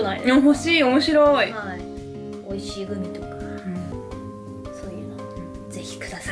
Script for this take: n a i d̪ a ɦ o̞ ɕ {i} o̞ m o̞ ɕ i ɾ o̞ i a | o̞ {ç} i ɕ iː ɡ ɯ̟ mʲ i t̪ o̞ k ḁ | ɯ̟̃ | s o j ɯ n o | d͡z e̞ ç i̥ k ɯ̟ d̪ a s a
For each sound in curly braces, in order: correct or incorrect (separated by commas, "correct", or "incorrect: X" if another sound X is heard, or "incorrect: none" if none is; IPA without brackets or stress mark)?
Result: incorrect: iː, incorrect: none